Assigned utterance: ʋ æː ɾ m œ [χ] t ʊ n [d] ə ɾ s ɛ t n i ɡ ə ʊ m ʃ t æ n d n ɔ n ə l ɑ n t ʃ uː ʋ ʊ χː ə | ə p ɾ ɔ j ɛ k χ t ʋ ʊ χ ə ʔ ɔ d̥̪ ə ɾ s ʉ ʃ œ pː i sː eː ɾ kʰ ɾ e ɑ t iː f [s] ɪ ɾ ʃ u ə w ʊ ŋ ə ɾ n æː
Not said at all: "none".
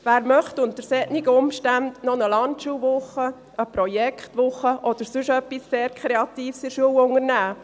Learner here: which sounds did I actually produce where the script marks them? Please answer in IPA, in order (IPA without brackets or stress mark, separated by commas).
χ, t, s